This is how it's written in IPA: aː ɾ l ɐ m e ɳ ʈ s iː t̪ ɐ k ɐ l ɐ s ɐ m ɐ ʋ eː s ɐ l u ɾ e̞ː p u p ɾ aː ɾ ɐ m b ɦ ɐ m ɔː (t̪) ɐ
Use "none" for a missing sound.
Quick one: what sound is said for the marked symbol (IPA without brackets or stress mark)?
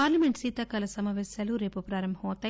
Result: t̪